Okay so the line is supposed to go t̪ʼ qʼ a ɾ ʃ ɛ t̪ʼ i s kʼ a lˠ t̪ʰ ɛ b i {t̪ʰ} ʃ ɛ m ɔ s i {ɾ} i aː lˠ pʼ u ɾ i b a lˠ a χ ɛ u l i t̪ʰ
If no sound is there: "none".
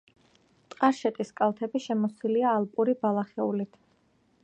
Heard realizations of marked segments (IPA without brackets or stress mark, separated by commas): none, l